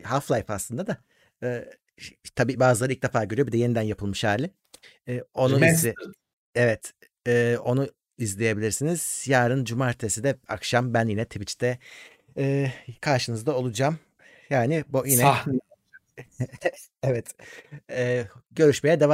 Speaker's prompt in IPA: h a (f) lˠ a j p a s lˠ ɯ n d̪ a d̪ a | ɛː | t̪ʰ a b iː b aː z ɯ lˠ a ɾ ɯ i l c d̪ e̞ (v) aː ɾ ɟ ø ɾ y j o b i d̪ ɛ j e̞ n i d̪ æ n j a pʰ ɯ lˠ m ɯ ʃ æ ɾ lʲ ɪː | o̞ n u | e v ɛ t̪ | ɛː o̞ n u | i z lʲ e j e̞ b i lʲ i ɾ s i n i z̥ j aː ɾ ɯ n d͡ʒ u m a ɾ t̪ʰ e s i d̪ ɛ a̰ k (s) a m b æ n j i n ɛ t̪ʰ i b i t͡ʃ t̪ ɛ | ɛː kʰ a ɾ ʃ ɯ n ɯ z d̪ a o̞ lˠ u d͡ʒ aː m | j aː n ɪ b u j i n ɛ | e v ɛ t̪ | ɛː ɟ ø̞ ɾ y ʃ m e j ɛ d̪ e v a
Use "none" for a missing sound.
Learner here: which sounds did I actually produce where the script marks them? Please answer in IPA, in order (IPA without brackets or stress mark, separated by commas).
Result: f, f, ʃ